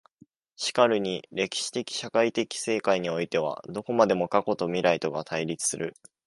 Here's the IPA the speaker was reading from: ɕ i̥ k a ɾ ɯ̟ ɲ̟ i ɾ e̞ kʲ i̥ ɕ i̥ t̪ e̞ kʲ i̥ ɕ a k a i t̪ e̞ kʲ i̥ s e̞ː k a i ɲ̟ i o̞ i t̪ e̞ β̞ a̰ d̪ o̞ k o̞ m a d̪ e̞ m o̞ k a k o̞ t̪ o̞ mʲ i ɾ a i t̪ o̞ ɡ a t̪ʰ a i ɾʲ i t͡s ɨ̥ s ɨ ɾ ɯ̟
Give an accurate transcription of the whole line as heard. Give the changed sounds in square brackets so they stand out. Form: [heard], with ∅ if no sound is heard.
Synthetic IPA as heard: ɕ i̥ k a ɾ ɯ̟ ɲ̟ i ɾ e̞ kʲ i̥ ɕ i̥ t̪ e̞ kʲ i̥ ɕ a k a i t̪ e̞ kʲ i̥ s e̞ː k a i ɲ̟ i o̞ i t̪ e̞ β̞ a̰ d̪ o̞ k o̞ m a d̪ e̞ m o̞ k a k o̞ t̪ o̞ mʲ i ɾ a i t̪ o̞ ɡ a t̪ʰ a i ɾʲ i t͡s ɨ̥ s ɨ ɾ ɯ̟